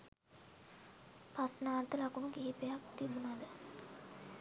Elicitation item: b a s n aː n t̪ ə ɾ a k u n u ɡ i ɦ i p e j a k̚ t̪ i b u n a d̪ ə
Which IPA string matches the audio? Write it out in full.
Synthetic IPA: p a s n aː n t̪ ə l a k u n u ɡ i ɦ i p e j a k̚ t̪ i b u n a d̪ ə